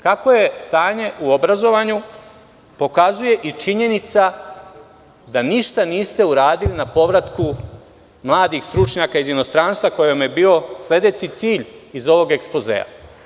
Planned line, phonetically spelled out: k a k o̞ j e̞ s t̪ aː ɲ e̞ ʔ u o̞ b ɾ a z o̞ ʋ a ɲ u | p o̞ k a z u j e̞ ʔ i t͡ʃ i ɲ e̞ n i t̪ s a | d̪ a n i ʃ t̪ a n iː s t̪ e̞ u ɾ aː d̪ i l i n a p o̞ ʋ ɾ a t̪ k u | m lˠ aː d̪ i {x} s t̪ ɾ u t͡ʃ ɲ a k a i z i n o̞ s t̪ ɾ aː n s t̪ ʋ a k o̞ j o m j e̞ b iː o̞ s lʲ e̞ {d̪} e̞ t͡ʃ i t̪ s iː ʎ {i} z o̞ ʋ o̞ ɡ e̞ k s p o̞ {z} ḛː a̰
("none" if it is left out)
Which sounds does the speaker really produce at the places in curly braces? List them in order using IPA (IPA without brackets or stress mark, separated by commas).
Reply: x, d̪, i, z